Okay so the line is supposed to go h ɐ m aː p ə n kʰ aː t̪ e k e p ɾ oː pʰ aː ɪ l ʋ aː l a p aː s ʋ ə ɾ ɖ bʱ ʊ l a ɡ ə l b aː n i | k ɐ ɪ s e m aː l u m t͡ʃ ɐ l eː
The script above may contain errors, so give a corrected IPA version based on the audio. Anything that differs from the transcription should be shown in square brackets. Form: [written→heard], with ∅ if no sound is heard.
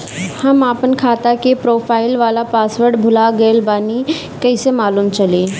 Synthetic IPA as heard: h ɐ m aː p ə n kʰ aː t̪ [e→a] k e p ɾ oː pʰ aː ɪ l ʋ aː l a p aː s ʋ ə ɾ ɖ bʱ ʊ l a ɡ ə l b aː n i | k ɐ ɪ s e m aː l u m t͡ʃ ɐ l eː